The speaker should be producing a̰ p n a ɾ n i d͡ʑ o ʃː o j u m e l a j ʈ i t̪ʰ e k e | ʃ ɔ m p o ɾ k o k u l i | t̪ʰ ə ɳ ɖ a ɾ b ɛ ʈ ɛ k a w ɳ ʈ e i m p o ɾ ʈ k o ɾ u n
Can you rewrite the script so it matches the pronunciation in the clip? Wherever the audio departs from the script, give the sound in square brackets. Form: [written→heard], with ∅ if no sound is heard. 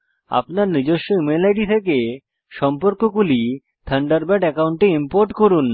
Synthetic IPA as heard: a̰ p n a ɾ n i d͡ʑ o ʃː o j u m e l a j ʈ i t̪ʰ e k e | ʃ ɔ m p o ɾ k o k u l i | t̪ʰ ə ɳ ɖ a ɾ b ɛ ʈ ɛ k a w ɳ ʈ e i m p o ɾ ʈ k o ɾ u n